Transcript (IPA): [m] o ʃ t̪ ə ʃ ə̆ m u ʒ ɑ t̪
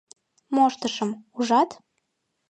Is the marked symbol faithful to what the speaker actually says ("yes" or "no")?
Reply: yes